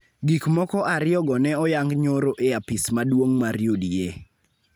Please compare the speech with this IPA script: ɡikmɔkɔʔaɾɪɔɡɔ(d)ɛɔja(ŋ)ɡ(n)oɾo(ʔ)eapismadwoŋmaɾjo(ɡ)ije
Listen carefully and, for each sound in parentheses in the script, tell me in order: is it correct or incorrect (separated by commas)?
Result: incorrect, correct, incorrect, correct, incorrect